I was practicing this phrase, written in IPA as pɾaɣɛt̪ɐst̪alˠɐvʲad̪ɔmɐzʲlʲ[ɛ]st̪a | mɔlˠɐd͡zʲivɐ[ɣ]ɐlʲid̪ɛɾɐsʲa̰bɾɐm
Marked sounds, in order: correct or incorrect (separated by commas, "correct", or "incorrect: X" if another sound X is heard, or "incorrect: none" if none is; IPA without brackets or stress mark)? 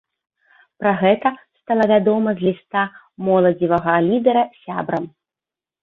incorrect: i, correct